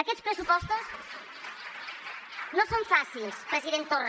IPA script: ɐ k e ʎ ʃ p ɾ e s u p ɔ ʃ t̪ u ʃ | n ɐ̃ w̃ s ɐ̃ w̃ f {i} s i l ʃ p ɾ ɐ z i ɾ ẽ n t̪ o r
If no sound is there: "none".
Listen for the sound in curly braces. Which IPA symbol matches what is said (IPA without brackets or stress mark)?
a